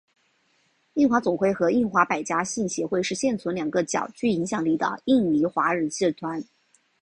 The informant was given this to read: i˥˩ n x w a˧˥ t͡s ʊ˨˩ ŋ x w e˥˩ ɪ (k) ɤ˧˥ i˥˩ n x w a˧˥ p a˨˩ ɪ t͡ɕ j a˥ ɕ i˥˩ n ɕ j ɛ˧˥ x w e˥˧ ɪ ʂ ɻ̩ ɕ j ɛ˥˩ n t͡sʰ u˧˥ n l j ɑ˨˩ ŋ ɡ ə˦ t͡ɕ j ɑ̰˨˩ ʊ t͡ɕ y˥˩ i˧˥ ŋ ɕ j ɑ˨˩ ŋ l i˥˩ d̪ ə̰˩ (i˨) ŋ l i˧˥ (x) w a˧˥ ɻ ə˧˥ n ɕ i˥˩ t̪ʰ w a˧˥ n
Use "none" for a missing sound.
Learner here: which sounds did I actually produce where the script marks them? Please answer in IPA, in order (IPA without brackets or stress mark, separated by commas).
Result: x, i˥˩, x